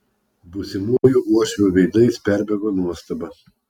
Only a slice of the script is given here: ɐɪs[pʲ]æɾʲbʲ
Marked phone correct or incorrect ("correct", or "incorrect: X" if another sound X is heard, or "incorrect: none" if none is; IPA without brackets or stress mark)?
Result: correct